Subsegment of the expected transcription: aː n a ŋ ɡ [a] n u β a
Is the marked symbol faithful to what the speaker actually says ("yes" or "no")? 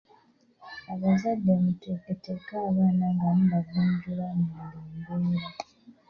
yes